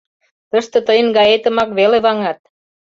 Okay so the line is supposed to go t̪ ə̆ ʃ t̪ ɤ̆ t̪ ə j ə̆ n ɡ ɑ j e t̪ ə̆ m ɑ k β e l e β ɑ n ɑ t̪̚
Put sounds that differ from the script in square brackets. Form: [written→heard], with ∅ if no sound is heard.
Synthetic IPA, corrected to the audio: t̪ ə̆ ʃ t̪ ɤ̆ t̪ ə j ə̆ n ɡ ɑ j e t̪ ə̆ m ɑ k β e l e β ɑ [n→ŋ] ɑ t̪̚